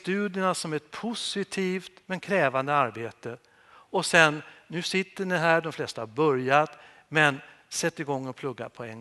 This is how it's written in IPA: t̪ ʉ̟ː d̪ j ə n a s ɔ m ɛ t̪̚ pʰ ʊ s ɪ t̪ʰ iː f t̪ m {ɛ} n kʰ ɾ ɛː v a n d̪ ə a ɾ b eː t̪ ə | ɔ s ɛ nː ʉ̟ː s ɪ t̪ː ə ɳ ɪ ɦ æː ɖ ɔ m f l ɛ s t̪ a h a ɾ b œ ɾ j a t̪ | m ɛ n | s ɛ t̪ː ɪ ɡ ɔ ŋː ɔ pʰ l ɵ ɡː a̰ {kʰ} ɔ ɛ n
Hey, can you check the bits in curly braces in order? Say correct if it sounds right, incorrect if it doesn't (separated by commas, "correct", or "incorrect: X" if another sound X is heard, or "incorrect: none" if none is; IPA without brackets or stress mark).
correct, incorrect: pʰ